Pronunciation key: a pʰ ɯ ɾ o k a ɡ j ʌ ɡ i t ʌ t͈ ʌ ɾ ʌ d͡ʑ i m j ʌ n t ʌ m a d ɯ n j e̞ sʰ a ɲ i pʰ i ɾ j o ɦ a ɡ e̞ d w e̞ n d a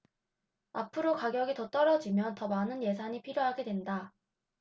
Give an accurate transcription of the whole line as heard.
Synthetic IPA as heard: a pʰ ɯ ɾ o k a ɡ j ʌ ɡ i t ʌ t͈ ʌ ɾ ʌ d͡ʑ i m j ʌ n t ʌ m a n ɯ n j e̞ sʰ a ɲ i pʰ i ɾ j o ɦ a ɡ e̞ d w e̞ n d a